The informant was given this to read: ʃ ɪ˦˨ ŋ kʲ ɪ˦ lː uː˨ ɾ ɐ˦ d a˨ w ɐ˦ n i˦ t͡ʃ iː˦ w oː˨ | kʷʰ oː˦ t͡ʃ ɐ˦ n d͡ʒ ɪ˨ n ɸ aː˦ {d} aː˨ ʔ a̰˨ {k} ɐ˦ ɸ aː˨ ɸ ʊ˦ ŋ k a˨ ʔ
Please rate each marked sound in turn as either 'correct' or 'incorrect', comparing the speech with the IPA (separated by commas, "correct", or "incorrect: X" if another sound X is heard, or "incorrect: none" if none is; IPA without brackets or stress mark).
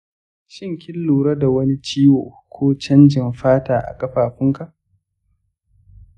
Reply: incorrect: t, incorrect: kʼ